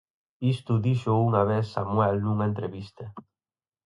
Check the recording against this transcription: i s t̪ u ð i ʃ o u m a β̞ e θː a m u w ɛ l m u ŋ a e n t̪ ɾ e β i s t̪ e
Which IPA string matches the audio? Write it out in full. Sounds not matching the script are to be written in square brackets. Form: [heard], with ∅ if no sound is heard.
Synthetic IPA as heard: i s t̪ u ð i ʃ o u [ŋ] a β̞ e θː a m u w ɛ l [n] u ŋ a e n t̪ ɾ e β i s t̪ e